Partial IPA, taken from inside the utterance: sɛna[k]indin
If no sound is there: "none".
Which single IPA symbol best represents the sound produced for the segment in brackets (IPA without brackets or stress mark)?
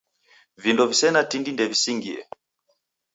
t